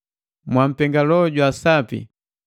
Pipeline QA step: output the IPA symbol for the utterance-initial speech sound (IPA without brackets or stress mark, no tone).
m